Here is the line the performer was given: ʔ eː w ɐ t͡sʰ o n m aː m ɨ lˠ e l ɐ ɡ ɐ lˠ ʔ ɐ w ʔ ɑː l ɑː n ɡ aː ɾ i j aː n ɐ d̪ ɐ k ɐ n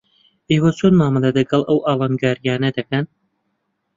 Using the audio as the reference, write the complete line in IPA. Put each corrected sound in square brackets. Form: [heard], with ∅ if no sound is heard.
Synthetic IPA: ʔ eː w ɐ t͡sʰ o n m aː m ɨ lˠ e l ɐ ɡ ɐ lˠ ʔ ɐ w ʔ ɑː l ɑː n ɡ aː ɾ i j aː n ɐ d̪ ɐ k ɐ n